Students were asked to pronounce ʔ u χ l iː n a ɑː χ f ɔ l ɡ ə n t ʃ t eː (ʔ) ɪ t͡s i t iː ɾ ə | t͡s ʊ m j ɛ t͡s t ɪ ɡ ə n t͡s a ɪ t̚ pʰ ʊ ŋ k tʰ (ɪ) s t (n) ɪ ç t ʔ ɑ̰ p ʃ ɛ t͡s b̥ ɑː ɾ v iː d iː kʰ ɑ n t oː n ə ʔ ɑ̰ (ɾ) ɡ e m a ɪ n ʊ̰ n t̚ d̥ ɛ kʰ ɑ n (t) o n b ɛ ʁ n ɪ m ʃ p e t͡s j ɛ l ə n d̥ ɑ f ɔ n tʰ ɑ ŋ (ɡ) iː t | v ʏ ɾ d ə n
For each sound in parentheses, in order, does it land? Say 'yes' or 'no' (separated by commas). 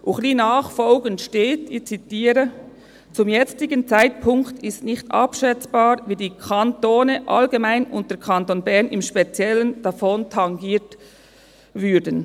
no, yes, yes, no, yes, yes